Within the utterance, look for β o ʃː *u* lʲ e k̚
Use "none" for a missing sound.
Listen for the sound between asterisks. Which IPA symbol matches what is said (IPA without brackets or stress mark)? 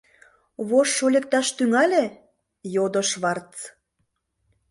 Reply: o